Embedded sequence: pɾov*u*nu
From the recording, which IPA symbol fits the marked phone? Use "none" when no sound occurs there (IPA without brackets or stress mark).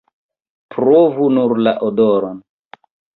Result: u